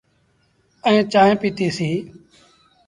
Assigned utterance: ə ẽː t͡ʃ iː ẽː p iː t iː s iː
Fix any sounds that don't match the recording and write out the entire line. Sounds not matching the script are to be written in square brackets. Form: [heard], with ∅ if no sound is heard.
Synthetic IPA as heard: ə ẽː t͡ʃ [aː] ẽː p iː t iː s iː